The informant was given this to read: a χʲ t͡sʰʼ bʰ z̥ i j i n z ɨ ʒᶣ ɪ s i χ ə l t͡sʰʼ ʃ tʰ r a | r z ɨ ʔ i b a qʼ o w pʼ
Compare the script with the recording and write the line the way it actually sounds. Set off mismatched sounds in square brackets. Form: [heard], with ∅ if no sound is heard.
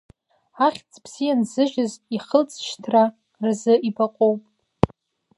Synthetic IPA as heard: a χʲ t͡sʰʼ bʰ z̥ i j [a] n z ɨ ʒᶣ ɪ [z] i χ ə l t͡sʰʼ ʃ tʰ r a | r z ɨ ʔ i b a qʼ o w pʼ